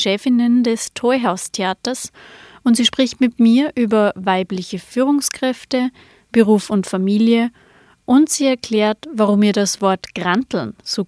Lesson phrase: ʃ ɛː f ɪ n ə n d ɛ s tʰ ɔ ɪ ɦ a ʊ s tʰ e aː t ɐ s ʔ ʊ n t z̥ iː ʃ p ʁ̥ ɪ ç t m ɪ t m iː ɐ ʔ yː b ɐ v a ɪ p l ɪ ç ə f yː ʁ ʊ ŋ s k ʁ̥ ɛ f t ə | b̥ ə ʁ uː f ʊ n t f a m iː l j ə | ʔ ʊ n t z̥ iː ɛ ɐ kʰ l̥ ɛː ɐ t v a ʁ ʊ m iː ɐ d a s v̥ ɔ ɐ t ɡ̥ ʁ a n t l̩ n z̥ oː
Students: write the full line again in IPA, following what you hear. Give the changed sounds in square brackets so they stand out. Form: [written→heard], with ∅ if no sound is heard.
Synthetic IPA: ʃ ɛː f ɪ n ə n d ɛ s tʰ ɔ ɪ ɦ a ʊ s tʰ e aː t ɐ s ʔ ʊ n t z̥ iː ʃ p ʁ̥ ɪ ç t m ɪ t m iː ɐ ʔ yː b ɐ v a ɪ p l ɪ ç ə f yː ʁ ʊ ŋ s k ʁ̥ ɛ f t ə | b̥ ə ʁ uː f ʊ n t f a m iː l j ə | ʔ ʊ n t z̥ iː ɛ ɐ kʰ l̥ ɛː ɐ t v a ʁ ʊ m iː ɐ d a s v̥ ɔ ɐ t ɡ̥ ʁ a n t l̩ n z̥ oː